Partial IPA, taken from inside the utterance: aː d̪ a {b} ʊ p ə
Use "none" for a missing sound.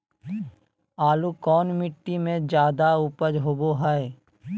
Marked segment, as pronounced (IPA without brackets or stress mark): none